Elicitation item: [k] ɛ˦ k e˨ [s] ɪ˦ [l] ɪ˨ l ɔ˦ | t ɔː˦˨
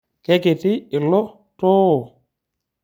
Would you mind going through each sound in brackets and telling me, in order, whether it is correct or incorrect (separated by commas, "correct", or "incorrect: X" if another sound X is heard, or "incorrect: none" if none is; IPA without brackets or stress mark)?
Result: correct, incorrect: t, incorrect: none